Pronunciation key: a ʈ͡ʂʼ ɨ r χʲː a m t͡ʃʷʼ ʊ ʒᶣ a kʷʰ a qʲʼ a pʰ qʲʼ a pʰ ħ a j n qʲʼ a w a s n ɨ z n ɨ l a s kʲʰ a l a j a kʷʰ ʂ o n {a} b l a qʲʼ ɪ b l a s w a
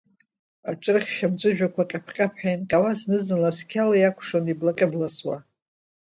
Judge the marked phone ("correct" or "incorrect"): incorrect